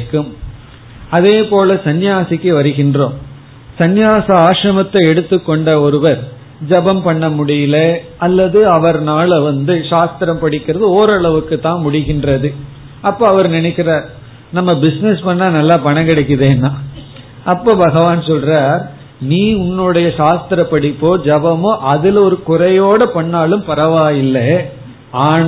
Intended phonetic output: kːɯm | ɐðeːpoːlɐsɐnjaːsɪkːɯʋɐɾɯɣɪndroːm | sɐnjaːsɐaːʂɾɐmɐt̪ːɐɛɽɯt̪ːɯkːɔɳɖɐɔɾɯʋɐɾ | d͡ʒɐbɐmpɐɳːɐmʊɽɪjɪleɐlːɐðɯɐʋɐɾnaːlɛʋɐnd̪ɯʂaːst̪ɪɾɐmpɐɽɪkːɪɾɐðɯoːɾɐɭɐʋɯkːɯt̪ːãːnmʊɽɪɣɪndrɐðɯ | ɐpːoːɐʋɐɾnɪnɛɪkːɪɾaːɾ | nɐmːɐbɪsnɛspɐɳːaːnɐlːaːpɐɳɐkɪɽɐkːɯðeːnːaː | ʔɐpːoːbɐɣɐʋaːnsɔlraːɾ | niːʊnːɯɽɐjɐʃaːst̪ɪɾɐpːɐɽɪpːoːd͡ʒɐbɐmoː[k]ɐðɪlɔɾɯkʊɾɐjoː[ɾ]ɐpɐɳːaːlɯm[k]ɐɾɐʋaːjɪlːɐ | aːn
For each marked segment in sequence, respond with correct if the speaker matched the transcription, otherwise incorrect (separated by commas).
incorrect, incorrect, incorrect